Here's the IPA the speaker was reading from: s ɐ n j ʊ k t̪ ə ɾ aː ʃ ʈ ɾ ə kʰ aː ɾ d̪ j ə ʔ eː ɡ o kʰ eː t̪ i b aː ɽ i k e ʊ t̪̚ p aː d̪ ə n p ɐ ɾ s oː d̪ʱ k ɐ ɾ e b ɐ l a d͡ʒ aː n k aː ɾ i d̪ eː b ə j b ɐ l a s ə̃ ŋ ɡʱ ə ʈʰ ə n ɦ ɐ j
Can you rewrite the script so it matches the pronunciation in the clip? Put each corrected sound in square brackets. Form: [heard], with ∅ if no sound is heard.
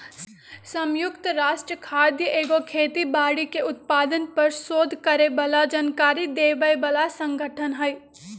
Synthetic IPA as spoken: s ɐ [m] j ʊ k t̪ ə ɾ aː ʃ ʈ ɾ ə kʰ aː ɾ d̪ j ə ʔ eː ɡ o kʰ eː t̪ i b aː ɽ i k e ʊ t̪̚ p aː d̪ ə n p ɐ ɾ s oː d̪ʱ k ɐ ɾ e b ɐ l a d͡ʒ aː n k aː ɾ i d̪ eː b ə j b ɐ l a s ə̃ ŋ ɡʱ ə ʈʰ ə n ɦ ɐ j

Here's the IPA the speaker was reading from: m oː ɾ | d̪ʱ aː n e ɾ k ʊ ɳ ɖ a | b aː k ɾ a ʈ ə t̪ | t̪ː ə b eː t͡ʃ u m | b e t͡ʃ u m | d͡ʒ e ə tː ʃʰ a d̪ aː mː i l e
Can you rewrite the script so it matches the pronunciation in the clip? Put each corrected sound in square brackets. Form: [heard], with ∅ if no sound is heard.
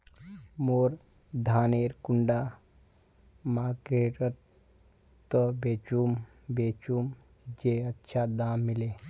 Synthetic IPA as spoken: m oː ɾ | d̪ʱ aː n e ɾ k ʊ ɳ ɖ a | [m] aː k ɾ [e] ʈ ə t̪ | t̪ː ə b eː t͡ʃ u m | b e t͡ʃ u m | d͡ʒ e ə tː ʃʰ a d̪ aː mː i l e

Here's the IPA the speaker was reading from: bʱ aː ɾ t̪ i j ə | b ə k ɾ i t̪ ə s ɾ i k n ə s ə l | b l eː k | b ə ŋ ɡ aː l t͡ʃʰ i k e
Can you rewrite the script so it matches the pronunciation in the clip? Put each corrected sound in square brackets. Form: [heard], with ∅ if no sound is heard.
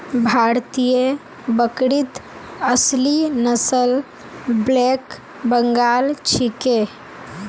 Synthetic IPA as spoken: bʱ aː ɾ t̪ i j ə | b ə k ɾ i t̪ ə s [l] i [∅] n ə s ə l | b l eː k | b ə ŋ ɡ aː l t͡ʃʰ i k e

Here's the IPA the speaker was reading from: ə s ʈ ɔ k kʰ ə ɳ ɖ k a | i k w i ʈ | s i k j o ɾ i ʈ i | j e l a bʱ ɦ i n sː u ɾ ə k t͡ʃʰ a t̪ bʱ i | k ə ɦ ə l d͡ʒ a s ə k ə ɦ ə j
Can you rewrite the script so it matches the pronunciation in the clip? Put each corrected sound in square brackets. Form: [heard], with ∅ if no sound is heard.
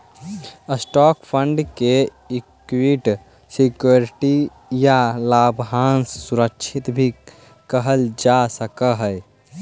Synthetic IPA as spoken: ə s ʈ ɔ k [pʰ] ə ɳ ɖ k [e] | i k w i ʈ | s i k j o ɾ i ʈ i | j [a] l a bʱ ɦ [a] n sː u ɾ ə k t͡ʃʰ [i] t̪ bʱ i | k ə ɦ ə l d͡ʒ a s ə k ə ɦ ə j

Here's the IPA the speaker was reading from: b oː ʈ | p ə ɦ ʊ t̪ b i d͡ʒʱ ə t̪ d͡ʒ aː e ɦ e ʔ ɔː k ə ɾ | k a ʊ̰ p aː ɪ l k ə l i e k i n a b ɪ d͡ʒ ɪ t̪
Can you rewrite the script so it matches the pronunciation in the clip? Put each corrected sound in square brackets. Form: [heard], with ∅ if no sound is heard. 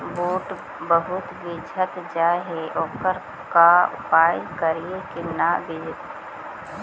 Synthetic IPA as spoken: b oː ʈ | [b] ə ɦ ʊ t̪ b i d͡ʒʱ ə t̪ d͡ʒ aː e ɦ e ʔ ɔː k ə ɾ | k a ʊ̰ p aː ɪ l k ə [ɾ] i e k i n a b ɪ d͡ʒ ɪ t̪

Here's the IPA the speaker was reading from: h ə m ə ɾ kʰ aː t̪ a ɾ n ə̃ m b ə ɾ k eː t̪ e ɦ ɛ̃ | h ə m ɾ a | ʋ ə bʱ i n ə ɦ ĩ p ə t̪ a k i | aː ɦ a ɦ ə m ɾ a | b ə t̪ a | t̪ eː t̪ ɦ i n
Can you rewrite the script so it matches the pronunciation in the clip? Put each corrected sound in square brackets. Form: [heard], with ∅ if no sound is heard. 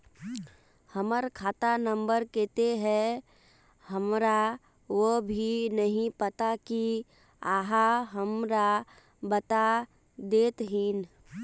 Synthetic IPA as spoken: h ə m ə ɾ kʰ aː t̪ a [∅] n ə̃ m b ə ɾ k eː t̪ e ɦ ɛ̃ | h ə m ɾ a | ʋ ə bʱ i n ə ɦ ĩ p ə t̪ a k i | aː ɦ a ɦ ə m ɾ a | b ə t̪ a | [d̪] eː t̪ ɦ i n

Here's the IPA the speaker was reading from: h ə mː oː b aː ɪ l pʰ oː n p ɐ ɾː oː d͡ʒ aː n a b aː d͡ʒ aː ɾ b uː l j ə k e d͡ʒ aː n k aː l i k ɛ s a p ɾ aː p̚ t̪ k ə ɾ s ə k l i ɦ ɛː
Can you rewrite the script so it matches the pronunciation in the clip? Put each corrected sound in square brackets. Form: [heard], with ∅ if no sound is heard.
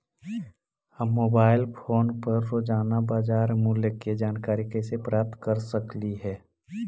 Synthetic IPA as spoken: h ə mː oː b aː ɪ l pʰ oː n p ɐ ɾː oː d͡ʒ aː n a b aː d͡ʒ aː ɾ [m] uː l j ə k e d͡ʒ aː n k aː [ɾ] i k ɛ s [e] p ɾ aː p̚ t̪ k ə ɾ s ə k l i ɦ ɛː

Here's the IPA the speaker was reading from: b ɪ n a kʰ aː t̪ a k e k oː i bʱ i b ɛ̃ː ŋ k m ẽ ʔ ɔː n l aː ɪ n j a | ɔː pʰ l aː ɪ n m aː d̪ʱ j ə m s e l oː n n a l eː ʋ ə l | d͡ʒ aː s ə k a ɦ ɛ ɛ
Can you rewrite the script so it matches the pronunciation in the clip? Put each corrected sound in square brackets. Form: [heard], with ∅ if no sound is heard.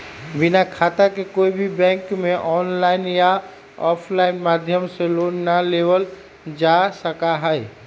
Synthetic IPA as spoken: b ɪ n a kʰ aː t̪ a k e k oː i bʱ i b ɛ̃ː ŋ k m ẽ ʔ ɔː n l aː ɪ n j a | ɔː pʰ l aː ɪ n m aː d̪ʱ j ə m s e l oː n n a l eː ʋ ə l | d͡ʒ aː s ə k a ɦ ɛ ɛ

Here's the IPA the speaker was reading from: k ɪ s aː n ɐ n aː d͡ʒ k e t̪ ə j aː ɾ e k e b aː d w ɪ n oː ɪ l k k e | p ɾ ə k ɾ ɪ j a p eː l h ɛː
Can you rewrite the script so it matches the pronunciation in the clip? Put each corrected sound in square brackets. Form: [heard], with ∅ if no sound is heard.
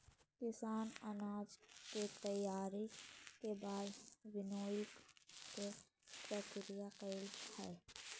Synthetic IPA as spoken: k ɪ s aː n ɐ n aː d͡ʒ k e t̪ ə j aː ɾ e k e b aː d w ɪ n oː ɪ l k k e | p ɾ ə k ɾ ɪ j a [q] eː l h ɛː

